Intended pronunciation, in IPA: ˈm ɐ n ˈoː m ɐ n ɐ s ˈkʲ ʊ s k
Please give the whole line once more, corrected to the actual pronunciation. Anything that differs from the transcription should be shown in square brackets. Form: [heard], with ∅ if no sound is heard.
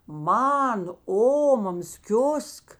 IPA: ˈm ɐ n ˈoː m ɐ [m] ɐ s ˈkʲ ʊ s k